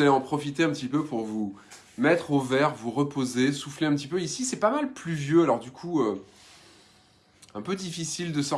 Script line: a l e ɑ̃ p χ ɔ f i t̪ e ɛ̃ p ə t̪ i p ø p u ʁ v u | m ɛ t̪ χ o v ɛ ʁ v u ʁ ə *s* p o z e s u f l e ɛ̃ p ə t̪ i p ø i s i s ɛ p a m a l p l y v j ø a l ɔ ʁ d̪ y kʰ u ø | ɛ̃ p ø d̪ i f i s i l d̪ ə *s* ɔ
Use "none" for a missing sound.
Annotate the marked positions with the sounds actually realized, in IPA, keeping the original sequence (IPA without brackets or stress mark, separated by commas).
none, s